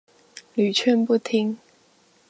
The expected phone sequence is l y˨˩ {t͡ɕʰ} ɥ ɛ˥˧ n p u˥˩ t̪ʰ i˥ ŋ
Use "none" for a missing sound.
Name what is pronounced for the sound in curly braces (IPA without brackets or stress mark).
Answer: t͡ɕʰ